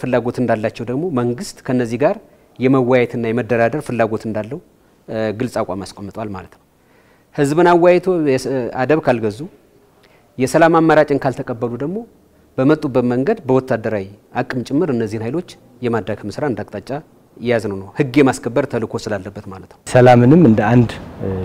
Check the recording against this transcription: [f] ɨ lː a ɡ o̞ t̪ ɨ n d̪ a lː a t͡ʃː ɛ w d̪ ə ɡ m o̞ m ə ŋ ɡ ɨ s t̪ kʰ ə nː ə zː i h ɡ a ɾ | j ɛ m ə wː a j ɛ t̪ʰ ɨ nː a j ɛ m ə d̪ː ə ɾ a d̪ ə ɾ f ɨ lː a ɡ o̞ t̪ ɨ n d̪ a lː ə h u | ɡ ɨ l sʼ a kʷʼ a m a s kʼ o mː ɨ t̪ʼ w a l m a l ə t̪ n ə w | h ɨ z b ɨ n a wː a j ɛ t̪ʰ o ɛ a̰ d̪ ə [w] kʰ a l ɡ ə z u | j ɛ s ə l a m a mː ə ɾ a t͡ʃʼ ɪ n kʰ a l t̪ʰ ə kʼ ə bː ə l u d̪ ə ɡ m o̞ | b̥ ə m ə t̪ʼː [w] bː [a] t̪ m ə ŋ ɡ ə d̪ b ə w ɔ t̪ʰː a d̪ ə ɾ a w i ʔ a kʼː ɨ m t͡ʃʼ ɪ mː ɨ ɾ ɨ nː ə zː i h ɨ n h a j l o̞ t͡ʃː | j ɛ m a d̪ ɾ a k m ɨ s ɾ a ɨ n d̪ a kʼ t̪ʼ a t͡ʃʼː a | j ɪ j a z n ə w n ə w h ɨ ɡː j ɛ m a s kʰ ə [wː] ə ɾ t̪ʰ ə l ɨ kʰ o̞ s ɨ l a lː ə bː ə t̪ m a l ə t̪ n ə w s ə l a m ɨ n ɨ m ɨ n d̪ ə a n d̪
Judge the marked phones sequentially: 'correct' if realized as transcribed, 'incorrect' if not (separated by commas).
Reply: correct, incorrect, incorrect, incorrect, incorrect